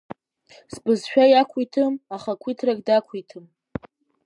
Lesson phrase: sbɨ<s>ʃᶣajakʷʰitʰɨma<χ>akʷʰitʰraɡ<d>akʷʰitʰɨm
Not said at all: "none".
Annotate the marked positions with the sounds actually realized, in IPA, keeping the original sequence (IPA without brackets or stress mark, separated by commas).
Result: z, χ, d